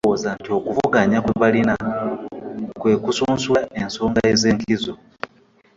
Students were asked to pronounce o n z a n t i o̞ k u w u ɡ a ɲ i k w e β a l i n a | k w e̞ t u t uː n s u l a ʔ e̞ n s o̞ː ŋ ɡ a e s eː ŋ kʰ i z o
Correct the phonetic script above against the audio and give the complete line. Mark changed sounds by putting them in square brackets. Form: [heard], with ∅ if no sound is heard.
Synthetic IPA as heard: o [∅] z a n t i o̞ k u [v] u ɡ a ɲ [a] k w e β a l i n a | k w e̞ [k] u [s] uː n s u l a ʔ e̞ n s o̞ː ŋ ɡ a e [z] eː ŋ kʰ i z o